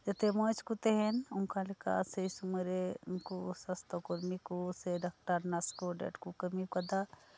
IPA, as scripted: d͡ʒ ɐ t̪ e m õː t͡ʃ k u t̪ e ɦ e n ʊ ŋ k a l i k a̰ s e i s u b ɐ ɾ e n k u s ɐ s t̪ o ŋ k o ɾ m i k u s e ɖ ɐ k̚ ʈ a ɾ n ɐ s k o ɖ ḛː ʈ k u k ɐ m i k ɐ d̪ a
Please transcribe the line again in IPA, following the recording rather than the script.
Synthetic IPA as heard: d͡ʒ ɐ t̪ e m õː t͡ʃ k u t̪ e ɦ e n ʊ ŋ k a l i k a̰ s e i s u m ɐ ɾ e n k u s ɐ s t̪ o k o ɾ m i k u s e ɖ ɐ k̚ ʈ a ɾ n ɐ s k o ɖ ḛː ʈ k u k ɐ m i k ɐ d̪ a